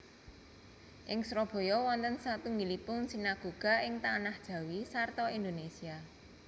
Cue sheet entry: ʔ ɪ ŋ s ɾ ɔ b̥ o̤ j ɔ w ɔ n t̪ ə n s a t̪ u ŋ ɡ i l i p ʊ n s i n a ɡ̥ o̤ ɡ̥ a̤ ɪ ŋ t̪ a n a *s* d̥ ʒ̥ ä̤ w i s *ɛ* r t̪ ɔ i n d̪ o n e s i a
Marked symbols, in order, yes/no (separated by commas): no, no